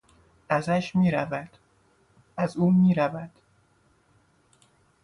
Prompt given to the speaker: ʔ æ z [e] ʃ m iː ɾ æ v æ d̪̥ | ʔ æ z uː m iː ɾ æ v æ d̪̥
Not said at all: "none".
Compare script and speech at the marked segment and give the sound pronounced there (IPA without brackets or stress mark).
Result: æ